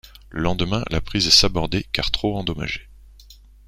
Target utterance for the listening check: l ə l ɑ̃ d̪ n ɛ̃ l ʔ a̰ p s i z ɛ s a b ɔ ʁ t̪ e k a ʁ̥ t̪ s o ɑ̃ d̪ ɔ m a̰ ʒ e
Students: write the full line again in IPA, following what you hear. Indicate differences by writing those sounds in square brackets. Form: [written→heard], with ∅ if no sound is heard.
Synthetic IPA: l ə l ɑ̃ d̪ [n→m] ɛ̃ l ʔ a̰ p [s→χ] i z ɛ s a b ɔ ʁ [t̪→d̪] e k a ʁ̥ t̪ [s→χ] o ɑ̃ d̪ ɔ m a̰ ʒ e

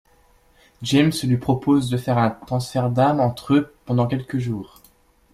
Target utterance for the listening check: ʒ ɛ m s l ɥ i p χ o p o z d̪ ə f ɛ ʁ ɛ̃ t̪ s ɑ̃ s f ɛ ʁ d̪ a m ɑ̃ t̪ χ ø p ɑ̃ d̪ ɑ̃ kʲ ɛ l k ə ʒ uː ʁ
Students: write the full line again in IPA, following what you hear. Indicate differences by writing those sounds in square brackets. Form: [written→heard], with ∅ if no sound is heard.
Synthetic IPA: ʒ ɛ m s l ɥ i p χ [o→ɔ] p o z d̪ ə f ɛ ʁ ɛ̃ t̪ [s→χ] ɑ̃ s f ɛ ʁ d̪ a m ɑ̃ t̪ χ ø p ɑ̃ d̪ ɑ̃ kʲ ɛ l k ə ʒ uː ʁ

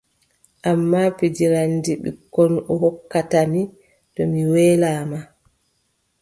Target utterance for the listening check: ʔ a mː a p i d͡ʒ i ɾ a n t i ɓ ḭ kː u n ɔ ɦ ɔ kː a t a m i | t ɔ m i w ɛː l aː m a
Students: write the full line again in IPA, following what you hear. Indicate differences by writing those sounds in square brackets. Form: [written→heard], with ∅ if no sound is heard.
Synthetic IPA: ʔ a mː a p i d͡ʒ i ɾ a n [t→d] i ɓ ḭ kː [u→ɔ] n ɔ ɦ ɔ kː a t a m i | t ɔ m i w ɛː l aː m a

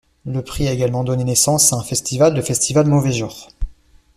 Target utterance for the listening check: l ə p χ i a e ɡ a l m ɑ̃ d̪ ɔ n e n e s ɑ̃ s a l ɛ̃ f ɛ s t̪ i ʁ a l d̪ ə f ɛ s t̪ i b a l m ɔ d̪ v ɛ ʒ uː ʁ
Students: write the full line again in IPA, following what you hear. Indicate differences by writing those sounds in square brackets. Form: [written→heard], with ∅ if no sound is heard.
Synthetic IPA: l ə p χ i a e ɡ a l m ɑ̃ d̪ ɔ n e n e s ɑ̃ s a [l→∅] ɛ̃ f ɛ s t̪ i [ʁ→v] a l d̪ ə f ɛ s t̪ i [b→v] a l m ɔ [d̪→∅] v ɛ ʒ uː ʁ

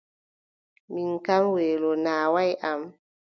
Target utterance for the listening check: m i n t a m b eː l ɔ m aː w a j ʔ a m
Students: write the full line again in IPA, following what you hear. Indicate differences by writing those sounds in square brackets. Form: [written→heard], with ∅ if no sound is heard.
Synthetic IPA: m i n [t→k] a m [b→w] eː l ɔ [m→n] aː w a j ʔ a m

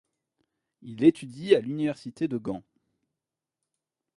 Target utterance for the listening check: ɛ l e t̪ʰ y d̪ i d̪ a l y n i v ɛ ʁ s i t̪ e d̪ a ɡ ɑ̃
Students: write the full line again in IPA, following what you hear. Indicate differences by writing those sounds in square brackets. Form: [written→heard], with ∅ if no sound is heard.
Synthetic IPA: [ɛ→i] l e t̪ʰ y d̪ i [d̪→∅] a l y n i v ɛ ʁ s i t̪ e d̪ [a→ə] ɡ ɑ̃

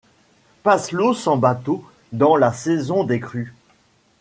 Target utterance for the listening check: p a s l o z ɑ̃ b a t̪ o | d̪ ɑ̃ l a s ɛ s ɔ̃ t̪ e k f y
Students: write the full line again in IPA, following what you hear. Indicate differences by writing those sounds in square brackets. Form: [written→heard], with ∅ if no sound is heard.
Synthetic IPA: p a s l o [z→s] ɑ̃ b a t̪ o | d̪ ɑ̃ l a s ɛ [s→z] ɔ̃ [t̪→d̪] e k [f→χ] y

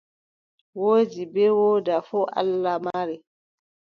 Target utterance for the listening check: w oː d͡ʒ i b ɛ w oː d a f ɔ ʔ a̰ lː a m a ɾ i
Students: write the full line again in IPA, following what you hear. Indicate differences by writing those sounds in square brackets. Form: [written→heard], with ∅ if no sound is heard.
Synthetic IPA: w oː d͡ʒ i b ɛ w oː d a f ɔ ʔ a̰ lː a m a ɾ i

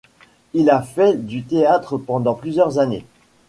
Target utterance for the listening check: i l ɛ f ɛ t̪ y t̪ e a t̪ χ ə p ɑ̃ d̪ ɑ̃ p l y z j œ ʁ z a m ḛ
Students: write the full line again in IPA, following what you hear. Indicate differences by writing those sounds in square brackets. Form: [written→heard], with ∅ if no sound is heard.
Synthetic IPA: i l [ɛ→a] f ɛ [t̪→d̪] y t̪ e a t̪ χ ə p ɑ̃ d̪ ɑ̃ p l y z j œ ʁ z a [m→n] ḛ

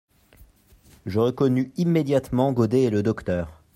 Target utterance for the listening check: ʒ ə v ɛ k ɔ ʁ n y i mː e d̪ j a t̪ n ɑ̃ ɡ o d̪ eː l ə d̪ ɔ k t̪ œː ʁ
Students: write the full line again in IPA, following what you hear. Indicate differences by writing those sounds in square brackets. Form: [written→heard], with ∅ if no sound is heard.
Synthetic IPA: ʒ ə [v→ʁ] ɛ k ɔ [ʁ→∅] n y i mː e d̪ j a t̪ [n→m] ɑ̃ ɡ o d̪ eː l ə d̪ ɔ k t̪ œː ʁ

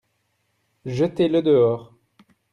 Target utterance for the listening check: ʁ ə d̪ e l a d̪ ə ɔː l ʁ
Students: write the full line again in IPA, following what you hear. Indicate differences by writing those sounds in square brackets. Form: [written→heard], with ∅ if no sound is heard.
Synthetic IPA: [ʁ→ʒ] ə [d̪→t̪] e l [a→ə] d̪ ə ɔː [l→∅] ʁ

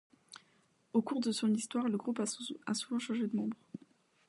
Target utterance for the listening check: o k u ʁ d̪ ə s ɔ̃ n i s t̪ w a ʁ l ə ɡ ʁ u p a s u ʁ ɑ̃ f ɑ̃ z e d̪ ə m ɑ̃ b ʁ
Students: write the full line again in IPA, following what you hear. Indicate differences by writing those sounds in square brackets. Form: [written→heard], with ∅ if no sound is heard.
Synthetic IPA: o k u ʁ d̪ ə s ɔ̃ n i s t̪ w a ʁ l ə ɡ ʁ u p a s u [ʁ→v] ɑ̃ [f→ʃ] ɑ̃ [z→ʒ] e d̪ ə m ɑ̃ b ʁ

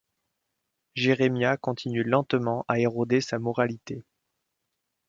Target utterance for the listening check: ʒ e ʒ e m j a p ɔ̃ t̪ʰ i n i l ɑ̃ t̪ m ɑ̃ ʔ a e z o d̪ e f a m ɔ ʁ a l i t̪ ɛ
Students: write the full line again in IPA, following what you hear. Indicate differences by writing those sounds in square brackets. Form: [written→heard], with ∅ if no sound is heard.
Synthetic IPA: ʒ e [ʒ→ʁ] e m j a [p→k] ɔ̃ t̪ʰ i n [i→y] l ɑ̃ t̪ m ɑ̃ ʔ a e [z→ʁ] o d̪ e [f→s] a m ɔ ʁ a l i t̪ [ɛ→e]

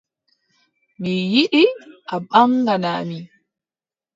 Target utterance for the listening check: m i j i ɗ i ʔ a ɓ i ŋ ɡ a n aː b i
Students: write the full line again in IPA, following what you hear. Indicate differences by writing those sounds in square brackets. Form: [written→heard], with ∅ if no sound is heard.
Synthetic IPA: m i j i ɗ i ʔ a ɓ [i→a] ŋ ɡ a n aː [b→m] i

